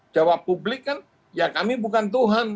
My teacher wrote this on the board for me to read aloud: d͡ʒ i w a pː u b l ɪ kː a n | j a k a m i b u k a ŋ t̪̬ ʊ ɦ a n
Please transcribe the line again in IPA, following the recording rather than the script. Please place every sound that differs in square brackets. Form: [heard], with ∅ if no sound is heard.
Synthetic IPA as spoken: d͡ʒ [a] w a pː u b l ɪ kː a n | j a k a m i b u k a [n] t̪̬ [u] ɦ a n